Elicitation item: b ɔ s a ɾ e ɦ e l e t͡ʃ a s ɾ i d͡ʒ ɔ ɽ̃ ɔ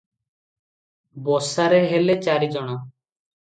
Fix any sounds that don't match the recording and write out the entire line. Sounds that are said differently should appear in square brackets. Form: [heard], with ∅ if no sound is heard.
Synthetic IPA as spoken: b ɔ s a ɾ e ɦ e l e t͡ʃ a [∅] ɾ i d͡ʒ ɔ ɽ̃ ɔ